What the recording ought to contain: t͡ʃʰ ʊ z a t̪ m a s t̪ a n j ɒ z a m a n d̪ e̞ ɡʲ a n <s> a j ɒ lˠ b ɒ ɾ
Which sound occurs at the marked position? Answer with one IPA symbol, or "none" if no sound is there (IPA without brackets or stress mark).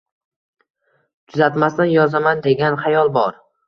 χ